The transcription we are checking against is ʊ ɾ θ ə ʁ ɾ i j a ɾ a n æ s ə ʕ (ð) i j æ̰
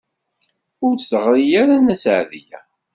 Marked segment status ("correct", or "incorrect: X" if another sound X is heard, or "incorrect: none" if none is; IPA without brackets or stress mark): correct